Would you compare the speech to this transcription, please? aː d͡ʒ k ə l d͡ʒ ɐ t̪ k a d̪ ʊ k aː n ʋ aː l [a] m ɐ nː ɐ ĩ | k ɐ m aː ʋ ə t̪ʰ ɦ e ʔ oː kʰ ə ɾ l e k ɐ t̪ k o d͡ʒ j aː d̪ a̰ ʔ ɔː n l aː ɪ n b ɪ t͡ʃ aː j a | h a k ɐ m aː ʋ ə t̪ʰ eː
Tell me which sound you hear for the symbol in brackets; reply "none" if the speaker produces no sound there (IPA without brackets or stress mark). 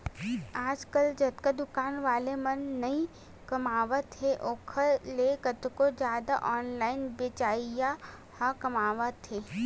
e